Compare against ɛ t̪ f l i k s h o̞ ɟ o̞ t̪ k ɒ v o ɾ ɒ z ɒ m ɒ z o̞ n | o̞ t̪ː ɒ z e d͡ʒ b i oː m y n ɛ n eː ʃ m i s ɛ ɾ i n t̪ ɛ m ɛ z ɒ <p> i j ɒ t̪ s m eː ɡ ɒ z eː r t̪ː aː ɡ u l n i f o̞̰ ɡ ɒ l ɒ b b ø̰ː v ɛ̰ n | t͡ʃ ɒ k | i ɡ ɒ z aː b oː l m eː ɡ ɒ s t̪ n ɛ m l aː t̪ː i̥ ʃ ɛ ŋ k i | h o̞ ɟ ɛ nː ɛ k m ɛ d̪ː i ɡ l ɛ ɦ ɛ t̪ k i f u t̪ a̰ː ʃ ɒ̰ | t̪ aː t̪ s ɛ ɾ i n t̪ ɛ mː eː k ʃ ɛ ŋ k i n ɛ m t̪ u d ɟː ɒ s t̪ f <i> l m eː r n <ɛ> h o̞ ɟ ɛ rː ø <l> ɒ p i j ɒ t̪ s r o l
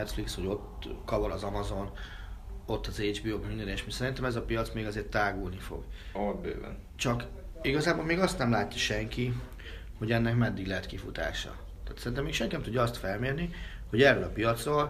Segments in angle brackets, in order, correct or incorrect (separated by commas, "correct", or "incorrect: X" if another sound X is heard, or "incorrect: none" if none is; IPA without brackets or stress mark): correct, incorrect: ɛ, incorrect: i, correct